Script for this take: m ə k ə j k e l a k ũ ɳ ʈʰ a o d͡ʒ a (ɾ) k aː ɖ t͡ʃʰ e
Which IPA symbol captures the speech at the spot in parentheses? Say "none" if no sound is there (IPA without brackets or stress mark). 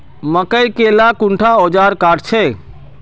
ɾ